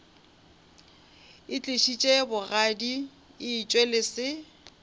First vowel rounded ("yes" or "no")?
no